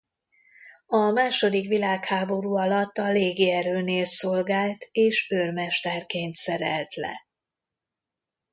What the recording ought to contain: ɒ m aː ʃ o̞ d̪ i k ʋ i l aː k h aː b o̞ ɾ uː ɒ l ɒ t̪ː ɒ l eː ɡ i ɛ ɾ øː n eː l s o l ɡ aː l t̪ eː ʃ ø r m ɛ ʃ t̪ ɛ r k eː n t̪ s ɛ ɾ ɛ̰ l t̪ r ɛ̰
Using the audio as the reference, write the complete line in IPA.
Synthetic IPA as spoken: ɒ m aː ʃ o̞ d̪ i k ʋ i l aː k h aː b o̞ ɾ uː ɒ l ɒ t̪ː ɒ l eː ɡ i ɛ ɾ øː n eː l s o l ɡ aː l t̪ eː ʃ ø r m ɛ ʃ t̪ ɛ r k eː n t̪ s ɛ ɾ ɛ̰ l t̪ l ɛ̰